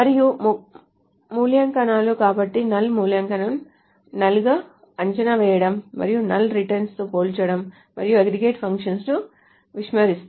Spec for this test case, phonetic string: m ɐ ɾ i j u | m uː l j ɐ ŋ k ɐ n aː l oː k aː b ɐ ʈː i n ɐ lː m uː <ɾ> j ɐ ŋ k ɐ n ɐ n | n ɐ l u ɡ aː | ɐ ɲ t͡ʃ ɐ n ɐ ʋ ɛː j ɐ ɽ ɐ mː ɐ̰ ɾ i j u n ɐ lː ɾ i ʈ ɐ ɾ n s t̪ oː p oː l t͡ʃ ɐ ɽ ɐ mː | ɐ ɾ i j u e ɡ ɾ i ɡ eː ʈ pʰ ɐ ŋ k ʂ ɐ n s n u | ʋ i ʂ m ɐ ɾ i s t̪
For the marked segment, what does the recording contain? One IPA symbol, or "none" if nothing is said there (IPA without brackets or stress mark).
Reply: l